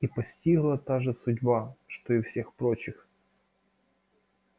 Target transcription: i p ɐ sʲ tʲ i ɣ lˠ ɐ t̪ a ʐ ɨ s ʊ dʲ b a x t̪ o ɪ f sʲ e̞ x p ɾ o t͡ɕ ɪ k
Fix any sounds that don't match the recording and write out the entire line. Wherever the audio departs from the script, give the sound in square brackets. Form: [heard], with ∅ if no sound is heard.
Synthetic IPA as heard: i p ɐ sʲ tʲ i ɣ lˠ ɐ t̪ a ʐ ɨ s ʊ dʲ b a [ʂ] t̪ o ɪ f sʲ e̞ x p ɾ o t͡ɕ ɪ [x]